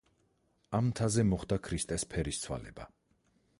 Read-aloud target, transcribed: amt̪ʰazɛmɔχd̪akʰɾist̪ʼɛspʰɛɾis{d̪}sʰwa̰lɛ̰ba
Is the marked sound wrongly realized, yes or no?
yes